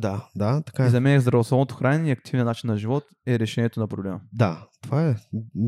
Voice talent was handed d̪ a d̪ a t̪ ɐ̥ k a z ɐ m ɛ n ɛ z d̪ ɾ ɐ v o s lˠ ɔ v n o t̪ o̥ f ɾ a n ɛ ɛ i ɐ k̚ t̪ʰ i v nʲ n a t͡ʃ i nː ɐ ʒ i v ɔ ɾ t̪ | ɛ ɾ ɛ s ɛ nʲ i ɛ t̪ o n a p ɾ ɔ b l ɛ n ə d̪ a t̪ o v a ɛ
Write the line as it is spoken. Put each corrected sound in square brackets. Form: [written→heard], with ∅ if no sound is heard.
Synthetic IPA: d̪ a d̪ a t̪ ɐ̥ k a z ɐ m ɛ n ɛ z d̪ ɾ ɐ v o s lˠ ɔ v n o t̪ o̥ [f→x] ɾ a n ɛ ɛ i ɐ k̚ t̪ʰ i v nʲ n a t͡ʃ i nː ɐ ʒ i v ɔ [ɾ→∅] t̪ | ɛ ɾ ɛ [s→ʃ] ɛ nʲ i ɛ t̪ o n [a→ɐ] p ɾ [ɔ→o] b l ɛ [n→m] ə d̪ a t̪ o v a ɛ